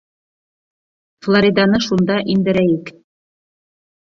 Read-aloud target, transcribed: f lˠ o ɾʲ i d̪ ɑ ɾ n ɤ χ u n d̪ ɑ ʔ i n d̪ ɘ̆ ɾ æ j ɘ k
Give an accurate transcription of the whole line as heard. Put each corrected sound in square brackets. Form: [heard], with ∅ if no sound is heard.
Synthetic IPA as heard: f lˠ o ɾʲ i d̪ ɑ [∅] n ɤ [ʃ] u n d̪ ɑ ʔ i n d̪ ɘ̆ ɾ æ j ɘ k

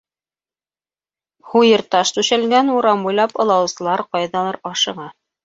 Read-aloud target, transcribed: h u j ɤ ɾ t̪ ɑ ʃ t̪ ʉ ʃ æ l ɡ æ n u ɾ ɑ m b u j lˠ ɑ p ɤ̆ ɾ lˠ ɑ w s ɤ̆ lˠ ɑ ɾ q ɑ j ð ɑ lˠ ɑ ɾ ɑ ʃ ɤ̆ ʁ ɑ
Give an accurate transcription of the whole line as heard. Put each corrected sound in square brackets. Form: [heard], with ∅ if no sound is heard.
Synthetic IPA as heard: h u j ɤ ɾ t̪ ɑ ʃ t̪ ʉ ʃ æ l ɡ æ n u ɾ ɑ m b u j lˠ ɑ p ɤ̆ [∅] lˠ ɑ w s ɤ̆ lˠ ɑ ɾ q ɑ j ð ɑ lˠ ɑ ɾ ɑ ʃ ɤ̆ ʁ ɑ

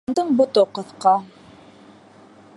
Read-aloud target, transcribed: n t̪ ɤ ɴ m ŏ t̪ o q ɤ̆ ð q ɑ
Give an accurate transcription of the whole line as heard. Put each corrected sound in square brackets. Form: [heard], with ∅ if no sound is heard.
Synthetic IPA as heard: n [d̪] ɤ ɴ [b] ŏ t̪ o q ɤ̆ [θ] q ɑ

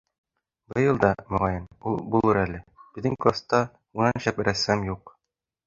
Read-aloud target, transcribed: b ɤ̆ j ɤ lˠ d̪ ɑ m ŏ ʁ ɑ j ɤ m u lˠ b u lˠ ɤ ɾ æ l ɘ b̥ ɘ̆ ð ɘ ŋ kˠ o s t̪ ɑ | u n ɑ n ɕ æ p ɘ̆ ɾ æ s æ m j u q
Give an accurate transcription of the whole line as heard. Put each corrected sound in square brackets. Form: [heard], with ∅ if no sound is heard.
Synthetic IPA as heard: b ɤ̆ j ɤ lˠ d̪ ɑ m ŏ ʁ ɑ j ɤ [n] u lˠ b u lˠ ɤ ɾ æ l ɘ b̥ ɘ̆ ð ɘ ŋ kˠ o s t̪ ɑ | u n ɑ n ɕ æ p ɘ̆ ɾ æ s æ m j u q

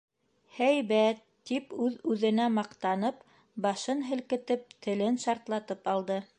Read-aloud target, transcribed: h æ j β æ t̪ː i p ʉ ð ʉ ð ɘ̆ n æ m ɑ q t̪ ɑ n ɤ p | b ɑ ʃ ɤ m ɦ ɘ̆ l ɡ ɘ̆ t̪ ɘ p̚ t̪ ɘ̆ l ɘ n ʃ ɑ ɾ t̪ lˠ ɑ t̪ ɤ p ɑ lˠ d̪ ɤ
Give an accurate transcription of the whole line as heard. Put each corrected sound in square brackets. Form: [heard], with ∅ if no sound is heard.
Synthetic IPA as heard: h æ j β æ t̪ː i p ʉ ð ʉ ð ɘ̆ n æ m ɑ q t̪ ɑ n ɤ p | b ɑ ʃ ɤ [n] ɦ ɘ̆ l [k] ɘ̆ t̪ ɘ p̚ t̪ ɘ̆ l ɘ n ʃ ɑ ɾ t̪ lˠ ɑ t̪ ɤ p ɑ lˠ d̪ ɤ

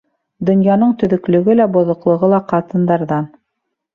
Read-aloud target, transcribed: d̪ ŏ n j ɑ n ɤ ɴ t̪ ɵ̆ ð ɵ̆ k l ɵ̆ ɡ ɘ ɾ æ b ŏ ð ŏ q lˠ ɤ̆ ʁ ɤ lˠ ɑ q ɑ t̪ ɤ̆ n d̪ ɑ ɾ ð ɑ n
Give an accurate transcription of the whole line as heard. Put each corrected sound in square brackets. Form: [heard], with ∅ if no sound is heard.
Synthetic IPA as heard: d̪ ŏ n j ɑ n ɤ ɴ t̪ ɵ̆ ð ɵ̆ k l ɵ̆ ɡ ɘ [l] æ b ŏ ð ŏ q lˠ ɤ̆ ʁ ɤ lˠ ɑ q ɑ t̪ ɤ̆ n d̪ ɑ ɾ ð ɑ n

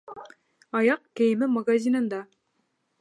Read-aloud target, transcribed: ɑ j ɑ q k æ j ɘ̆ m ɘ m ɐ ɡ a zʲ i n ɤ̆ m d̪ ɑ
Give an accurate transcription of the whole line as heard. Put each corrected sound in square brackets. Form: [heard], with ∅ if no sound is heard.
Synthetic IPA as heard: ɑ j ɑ q k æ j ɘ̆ m ɘ m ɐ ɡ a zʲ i n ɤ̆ [n] d̪ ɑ

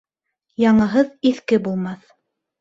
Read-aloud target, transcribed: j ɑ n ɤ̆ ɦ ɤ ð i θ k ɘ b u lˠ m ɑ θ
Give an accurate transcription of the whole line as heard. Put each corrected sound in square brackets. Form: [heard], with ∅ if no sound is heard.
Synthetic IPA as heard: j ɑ [ɴ] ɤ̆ ɦ ɤ ð i θ k ɘ b u lˠ m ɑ θ

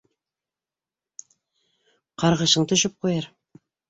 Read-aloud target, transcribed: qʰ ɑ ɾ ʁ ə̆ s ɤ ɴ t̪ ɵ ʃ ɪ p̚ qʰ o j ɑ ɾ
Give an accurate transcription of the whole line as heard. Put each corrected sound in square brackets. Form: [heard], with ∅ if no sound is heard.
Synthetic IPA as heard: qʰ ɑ ɾ ʁ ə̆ [ʃ] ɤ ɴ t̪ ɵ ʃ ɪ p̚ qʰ o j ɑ ɾ

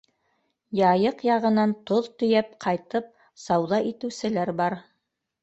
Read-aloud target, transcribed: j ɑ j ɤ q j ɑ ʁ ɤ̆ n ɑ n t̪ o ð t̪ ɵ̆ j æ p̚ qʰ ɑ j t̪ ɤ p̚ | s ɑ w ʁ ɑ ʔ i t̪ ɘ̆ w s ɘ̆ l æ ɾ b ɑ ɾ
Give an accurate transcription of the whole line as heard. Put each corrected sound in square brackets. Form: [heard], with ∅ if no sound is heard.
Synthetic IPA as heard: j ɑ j ɤ q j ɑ ʁ ɤ̆ n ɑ n t̪ o ð t̪ ɵ̆ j æ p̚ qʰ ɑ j t̪ ɤ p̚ | s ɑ w [ð] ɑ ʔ i t̪ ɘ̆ w s ɘ̆ l æ ɾ b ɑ ɾ

